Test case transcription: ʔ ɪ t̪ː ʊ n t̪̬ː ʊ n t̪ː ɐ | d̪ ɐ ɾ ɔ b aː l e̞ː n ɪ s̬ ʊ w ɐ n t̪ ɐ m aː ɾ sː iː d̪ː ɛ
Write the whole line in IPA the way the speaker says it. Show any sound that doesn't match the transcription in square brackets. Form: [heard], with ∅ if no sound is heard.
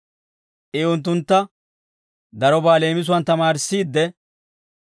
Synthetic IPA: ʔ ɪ [∅] ʊ n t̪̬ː ʊ n t̪ː ɐ | d̪ ɐ ɾ ɔ b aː l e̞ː [m] ɪ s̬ ʊ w ɐ n t̪ ɐ m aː ɾ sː iː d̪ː ɛ